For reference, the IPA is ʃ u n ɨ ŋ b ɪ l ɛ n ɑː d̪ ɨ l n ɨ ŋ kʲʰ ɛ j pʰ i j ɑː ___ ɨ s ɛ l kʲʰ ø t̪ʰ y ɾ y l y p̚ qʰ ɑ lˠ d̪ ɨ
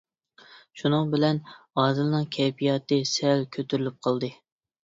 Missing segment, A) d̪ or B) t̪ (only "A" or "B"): B